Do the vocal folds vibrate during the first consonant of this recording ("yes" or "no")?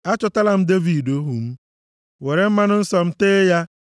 no